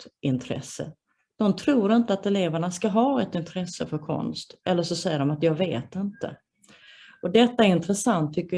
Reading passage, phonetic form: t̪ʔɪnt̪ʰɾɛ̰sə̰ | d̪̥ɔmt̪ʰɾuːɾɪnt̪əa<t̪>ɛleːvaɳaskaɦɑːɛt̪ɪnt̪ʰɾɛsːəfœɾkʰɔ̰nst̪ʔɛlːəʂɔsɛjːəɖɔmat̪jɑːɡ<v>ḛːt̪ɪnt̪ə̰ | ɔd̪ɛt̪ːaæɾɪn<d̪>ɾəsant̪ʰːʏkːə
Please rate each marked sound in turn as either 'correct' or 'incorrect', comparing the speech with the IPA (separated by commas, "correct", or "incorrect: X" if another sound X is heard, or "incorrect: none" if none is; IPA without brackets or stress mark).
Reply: correct, correct, incorrect: t̪